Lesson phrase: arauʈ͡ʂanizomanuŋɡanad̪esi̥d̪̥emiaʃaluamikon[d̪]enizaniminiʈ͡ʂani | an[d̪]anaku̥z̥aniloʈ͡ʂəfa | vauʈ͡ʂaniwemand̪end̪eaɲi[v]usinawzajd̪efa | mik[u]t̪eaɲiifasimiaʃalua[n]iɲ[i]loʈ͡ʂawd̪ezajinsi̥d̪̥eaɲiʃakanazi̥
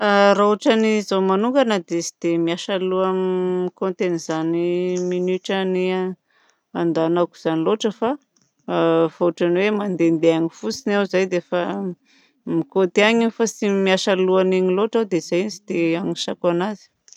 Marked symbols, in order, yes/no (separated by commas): no, yes, no, no, yes, yes